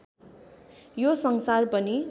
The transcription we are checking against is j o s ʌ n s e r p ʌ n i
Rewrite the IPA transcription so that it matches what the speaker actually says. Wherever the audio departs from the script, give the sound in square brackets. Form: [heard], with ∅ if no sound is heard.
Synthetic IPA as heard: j o s ʌ [ŋ] s [a] r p ʌ n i